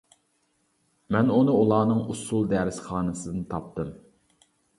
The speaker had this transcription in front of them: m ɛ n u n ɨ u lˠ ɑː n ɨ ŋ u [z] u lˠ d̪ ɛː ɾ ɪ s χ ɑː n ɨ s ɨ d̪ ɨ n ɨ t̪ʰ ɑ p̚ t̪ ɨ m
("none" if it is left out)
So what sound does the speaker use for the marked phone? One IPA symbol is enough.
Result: s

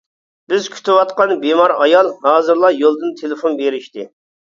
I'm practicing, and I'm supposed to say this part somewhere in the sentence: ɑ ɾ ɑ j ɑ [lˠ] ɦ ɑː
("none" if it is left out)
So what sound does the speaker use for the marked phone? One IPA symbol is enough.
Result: lˠ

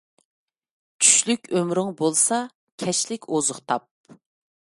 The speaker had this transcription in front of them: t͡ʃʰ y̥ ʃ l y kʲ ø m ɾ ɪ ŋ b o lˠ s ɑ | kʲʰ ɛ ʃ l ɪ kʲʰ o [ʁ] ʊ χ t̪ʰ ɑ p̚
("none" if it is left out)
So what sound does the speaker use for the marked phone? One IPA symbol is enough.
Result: z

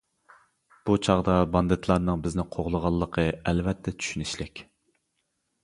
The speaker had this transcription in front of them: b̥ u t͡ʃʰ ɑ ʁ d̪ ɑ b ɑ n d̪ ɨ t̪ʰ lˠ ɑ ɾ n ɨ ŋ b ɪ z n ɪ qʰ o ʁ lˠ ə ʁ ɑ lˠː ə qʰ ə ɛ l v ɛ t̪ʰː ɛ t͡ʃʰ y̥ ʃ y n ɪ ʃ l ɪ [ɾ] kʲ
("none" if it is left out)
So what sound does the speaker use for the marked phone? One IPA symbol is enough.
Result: none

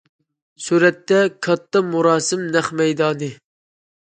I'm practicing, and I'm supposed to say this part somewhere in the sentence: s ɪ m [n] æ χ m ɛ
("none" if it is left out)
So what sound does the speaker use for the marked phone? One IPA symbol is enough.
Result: n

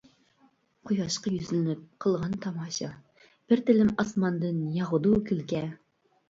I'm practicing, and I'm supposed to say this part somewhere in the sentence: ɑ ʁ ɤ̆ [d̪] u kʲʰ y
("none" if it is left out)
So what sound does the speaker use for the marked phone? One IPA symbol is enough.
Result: d̪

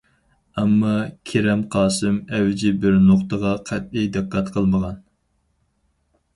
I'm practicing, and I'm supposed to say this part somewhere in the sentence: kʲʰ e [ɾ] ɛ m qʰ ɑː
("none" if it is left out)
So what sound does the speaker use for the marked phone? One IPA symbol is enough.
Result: ɾ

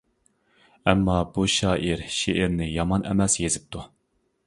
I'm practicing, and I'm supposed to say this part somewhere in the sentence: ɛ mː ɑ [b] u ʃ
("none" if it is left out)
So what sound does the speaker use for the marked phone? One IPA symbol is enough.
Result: b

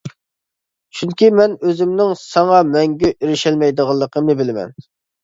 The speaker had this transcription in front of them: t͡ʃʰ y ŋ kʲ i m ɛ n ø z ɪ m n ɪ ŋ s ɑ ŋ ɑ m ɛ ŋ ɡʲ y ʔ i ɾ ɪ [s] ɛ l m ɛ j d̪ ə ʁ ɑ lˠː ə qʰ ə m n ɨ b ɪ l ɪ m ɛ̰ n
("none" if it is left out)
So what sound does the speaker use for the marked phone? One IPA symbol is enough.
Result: ʃ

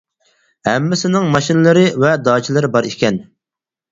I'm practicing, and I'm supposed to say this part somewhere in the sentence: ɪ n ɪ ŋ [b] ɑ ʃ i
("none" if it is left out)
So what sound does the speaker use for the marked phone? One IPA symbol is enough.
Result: m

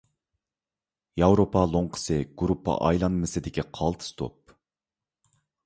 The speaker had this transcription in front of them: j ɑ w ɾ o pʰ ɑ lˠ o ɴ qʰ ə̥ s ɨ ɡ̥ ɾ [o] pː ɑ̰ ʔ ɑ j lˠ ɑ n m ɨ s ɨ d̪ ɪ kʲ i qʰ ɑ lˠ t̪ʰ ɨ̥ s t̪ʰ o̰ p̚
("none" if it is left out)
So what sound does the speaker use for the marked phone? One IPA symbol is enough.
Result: u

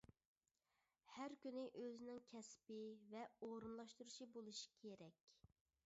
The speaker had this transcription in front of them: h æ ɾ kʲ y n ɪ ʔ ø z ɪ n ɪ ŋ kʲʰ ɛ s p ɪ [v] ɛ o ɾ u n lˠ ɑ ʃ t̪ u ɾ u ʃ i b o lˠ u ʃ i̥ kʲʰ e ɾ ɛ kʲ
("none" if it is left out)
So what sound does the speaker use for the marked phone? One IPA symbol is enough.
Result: v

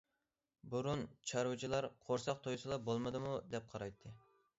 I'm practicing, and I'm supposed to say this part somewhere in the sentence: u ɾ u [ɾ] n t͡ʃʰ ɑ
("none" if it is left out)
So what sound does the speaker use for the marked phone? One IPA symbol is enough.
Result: none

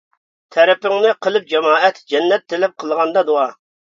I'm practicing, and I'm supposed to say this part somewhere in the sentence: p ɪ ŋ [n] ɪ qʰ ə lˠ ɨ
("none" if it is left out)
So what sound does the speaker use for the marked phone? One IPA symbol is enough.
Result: n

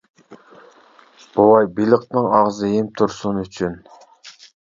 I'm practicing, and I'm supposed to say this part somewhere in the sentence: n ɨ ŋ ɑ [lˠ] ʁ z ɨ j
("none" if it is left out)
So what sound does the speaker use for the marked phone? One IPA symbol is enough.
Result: none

